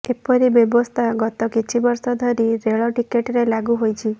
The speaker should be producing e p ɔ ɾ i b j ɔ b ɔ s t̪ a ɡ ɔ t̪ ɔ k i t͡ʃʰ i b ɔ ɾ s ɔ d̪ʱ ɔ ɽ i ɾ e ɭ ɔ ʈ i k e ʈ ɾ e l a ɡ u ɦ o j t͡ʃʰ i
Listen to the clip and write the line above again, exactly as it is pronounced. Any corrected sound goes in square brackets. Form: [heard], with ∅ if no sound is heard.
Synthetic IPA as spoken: e p ɔ ɾ i b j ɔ b ɔ s [t̪ʰ] a ɡ ɔ t̪ ɔ k i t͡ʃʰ i b ɔ ɾ s ɔ d̪ʱ ɔ [ɾ] i ɾ e ɭ ɔ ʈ i k e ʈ ɾ e l a ɡ u ɦ o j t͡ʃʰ i